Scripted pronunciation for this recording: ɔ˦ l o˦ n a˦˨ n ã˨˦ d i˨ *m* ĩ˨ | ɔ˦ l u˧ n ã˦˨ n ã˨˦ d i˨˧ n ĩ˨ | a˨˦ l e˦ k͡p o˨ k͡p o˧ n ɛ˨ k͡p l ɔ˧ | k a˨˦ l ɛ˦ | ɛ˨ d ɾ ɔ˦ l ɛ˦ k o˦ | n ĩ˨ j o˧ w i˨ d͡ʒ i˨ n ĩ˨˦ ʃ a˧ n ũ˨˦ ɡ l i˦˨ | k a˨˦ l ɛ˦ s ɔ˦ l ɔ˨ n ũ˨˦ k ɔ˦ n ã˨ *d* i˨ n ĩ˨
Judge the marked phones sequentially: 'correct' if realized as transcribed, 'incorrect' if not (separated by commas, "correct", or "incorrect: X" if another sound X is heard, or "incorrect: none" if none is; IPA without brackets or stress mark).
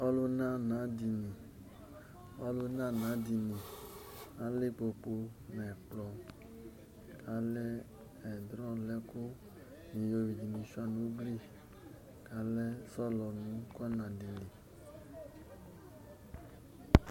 incorrect: n, correct